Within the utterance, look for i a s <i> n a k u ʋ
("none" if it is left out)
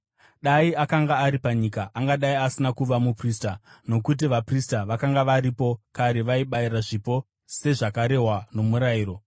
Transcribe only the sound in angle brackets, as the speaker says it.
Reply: i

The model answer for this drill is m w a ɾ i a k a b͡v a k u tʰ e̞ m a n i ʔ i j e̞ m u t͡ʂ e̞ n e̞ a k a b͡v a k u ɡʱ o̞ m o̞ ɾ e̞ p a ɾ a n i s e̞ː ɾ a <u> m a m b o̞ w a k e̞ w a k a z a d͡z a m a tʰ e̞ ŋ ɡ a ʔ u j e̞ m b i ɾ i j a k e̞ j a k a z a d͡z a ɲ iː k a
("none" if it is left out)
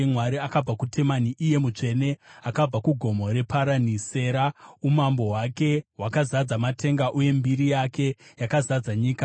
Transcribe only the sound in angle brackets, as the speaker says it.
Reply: u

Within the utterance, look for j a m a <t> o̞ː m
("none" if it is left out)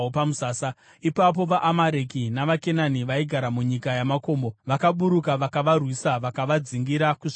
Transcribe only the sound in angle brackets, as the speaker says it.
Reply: k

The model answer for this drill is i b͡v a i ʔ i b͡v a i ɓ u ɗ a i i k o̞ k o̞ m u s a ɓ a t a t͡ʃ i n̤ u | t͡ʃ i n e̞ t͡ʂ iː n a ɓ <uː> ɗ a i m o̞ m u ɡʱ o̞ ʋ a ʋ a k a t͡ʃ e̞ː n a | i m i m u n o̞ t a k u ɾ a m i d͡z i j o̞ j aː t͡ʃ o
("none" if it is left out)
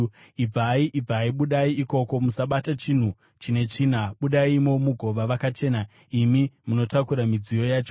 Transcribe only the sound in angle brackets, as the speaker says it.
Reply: u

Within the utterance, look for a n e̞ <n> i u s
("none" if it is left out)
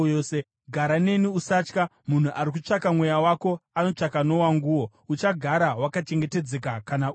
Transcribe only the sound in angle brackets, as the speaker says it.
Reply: n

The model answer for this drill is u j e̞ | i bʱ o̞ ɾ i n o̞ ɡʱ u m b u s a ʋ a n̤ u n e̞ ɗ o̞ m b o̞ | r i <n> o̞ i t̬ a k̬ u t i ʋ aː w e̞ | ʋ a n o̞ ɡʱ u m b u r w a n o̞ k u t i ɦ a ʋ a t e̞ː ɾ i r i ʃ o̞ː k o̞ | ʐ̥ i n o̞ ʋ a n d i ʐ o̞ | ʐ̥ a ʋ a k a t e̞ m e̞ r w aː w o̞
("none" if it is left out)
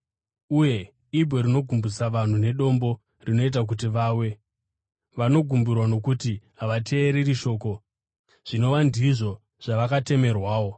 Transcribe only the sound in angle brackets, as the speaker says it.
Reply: n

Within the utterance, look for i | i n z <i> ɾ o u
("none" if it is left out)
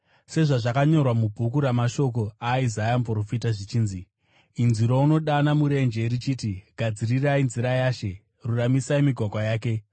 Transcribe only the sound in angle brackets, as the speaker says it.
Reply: i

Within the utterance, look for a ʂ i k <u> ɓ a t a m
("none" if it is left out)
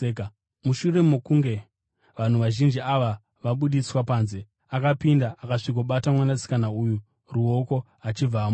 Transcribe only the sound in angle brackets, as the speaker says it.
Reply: o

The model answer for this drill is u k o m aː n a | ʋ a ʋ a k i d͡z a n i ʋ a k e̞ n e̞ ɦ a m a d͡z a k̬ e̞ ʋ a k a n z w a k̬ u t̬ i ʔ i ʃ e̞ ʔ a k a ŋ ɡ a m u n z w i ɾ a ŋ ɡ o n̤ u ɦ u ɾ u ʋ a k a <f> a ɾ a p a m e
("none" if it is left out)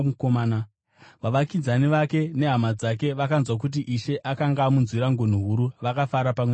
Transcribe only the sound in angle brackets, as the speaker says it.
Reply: f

